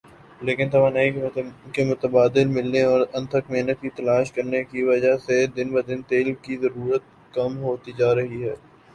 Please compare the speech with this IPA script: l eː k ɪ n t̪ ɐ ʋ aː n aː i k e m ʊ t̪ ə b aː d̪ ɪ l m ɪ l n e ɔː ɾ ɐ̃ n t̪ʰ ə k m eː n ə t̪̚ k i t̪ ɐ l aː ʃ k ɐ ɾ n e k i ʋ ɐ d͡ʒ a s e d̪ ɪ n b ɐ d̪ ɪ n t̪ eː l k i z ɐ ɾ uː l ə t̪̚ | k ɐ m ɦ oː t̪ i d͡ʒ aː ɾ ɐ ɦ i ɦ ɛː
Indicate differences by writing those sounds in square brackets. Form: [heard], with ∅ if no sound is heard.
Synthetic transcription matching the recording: l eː k ɪ n t̪ ɐ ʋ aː n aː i k e m ʊ t̪ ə b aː d̪ ɪ l m ɪ l n e ɔː ɾ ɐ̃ n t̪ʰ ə k m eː n ə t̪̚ k i t̪ ɐ l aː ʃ k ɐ ɾ n e k i ʋ ɐ d͡ʒ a s e d̪ ɪ n b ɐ d̪ ɪ n t̪ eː l k i z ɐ ɾ uː [ɾ] ə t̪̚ | k ɐ m ɦ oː t̪ i d͡ʒ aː ɾ ɐ ɦ i ɦ ɛː